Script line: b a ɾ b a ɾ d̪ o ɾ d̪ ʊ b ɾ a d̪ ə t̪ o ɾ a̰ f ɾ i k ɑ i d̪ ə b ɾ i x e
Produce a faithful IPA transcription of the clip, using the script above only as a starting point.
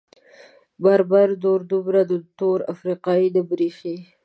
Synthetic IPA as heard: b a ɾ b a ɾ d̪ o ɾ d̪ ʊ b ɾ a d̪ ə t̪ o ɾ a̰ f ɾ i q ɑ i d̪ ə b ɾ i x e